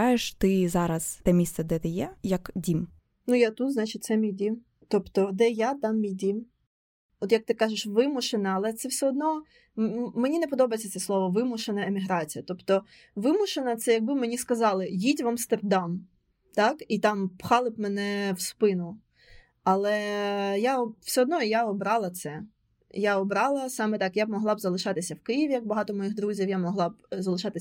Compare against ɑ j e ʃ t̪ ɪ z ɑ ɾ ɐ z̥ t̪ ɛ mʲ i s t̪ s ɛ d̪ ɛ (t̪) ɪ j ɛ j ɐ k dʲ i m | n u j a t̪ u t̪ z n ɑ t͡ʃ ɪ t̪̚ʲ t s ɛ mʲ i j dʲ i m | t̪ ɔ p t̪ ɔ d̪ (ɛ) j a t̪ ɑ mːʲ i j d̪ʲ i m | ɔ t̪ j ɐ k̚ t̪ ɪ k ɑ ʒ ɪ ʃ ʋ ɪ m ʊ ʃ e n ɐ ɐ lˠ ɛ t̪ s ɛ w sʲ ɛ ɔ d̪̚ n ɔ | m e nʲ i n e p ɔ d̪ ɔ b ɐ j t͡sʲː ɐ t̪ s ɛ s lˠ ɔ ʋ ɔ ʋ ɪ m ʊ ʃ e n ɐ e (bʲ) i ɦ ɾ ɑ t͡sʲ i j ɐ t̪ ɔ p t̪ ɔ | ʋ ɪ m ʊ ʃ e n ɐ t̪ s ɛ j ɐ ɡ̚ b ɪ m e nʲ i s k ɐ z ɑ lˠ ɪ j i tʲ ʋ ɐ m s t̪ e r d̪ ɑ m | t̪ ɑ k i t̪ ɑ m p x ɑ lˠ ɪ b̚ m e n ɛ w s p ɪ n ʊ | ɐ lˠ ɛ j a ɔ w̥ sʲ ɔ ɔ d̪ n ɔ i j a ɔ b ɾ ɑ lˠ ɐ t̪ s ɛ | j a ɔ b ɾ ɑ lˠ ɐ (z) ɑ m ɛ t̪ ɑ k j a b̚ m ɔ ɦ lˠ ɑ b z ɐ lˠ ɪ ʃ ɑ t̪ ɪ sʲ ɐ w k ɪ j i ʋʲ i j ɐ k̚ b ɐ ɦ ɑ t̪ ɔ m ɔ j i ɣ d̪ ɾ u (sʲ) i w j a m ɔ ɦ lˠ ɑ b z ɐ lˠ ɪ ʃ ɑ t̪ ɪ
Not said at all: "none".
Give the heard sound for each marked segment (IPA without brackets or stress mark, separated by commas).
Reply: t̪, ɛ, mʲ, s, zʲ